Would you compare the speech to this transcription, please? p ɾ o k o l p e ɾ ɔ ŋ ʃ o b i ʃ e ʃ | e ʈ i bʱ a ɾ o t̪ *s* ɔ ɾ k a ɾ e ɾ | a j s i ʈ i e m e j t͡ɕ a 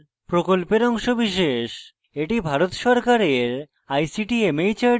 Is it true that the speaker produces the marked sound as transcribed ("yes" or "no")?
no